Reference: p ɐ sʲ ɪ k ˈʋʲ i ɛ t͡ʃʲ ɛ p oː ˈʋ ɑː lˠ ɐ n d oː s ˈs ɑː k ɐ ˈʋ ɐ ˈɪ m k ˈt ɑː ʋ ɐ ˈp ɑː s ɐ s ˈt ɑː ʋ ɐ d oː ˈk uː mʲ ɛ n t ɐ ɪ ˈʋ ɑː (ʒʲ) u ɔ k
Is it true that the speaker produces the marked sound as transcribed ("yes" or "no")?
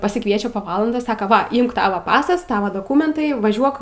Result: yes